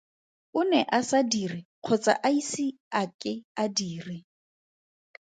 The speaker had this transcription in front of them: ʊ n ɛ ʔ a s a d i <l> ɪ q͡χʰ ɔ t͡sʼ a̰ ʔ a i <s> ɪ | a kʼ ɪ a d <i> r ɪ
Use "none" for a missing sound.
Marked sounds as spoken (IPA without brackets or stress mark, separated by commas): r, s, iː